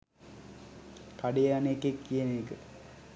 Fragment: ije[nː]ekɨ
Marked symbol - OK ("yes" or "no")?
no